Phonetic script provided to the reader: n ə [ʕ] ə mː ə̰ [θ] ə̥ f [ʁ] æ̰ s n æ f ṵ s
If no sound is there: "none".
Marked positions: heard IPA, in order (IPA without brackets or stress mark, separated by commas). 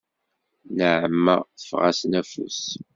ʕ, θ, ʁ